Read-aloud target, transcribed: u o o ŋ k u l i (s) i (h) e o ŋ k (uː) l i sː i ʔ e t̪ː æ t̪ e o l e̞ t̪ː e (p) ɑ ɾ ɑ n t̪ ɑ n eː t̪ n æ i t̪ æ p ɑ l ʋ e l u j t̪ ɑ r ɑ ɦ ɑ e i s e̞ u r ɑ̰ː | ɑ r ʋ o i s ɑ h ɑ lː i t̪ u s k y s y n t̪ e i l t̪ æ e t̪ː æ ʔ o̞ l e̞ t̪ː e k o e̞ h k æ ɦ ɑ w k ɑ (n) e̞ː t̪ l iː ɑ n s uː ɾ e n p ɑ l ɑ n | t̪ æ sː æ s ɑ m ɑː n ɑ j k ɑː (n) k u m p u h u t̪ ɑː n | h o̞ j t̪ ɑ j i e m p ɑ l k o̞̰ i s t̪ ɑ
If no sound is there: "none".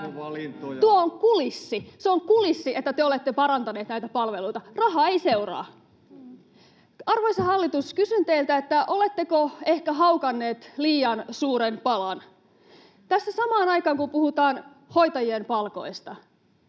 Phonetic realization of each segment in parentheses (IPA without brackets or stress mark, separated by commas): sː, s, u, p, nː, ŋ